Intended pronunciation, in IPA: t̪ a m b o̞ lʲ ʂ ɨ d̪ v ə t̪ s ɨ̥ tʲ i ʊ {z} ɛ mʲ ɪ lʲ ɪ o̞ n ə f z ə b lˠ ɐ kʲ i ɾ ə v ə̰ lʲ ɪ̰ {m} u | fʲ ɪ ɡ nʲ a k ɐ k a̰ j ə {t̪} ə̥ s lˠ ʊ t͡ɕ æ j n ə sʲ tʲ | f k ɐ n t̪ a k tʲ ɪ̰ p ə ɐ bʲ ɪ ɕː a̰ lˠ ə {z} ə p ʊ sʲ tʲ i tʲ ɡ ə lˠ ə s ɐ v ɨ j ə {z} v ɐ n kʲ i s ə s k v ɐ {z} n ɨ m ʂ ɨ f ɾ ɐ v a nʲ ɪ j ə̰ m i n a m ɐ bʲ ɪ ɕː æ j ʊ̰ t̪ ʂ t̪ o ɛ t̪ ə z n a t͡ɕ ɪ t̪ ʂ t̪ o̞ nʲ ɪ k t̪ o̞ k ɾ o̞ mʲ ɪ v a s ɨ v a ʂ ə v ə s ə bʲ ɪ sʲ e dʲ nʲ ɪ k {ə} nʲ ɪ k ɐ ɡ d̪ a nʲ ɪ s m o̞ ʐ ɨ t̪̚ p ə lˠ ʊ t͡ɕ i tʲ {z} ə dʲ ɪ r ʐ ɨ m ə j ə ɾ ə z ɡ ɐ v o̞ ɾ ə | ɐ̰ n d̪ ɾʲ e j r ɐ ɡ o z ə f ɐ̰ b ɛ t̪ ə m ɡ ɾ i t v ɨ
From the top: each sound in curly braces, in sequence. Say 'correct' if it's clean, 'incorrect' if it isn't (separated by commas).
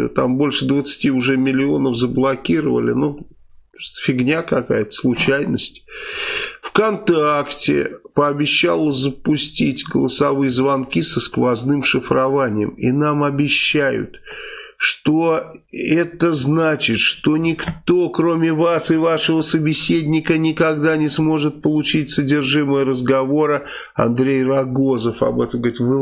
incorrect, incorrect, correct, correct, correct, correct, correct, incorrect